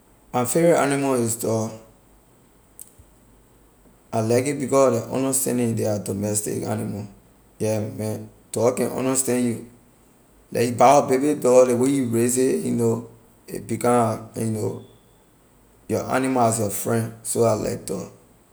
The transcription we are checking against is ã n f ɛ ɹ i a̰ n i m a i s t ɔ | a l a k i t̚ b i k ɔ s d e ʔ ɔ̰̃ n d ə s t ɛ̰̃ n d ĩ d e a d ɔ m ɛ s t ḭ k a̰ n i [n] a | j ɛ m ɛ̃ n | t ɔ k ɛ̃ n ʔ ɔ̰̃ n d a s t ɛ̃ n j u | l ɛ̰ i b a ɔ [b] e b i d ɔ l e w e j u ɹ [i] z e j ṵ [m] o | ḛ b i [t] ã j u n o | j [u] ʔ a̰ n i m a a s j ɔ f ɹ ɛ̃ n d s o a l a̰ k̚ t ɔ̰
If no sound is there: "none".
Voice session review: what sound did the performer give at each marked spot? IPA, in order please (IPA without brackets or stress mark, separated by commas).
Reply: m, b, e, n, k, ɔ